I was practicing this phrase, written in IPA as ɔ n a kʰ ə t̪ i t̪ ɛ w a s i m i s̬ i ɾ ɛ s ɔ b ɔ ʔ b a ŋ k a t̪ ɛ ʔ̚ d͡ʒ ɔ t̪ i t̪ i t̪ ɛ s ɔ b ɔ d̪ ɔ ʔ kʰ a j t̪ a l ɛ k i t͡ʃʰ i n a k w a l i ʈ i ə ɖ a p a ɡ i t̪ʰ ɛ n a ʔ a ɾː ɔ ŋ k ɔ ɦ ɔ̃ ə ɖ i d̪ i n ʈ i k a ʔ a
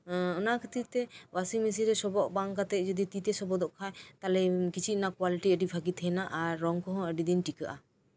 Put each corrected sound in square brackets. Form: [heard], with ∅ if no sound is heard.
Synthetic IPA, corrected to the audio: ɔ n a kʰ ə t̪ i t̪ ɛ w a s i m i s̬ i ɾ ɛ s ɔ b ɔ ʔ b a ŋ k a t̪ ɛ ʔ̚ d͡ʒ ɔ [d̪] i t̪ i t̪ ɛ s ɔ b ɔ d̪ ɔ ʔ kʰ a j t̪ a l ɛ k i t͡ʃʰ i n a k w a l i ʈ i ə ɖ [i] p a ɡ i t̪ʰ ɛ n a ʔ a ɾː ɔ ŋ k ɔ ɦ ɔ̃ ə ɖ i d̪ i n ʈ i k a ʔ a